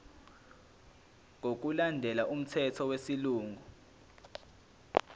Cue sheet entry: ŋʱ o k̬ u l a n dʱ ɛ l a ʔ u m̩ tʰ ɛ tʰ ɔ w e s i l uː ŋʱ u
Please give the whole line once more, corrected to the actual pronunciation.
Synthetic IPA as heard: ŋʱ o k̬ u l a n dʱ ɛ l a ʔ u m̩ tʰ ɛ tʰ ɔ w e s i l uː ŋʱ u